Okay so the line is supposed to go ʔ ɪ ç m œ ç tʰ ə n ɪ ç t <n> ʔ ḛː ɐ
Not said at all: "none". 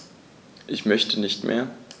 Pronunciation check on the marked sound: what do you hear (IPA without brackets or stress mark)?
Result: m